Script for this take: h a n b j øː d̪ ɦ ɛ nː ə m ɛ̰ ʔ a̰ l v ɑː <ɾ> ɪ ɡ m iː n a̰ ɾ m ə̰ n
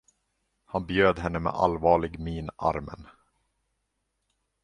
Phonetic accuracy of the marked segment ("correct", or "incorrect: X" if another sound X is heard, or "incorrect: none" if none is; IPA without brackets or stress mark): incorrect: ɭ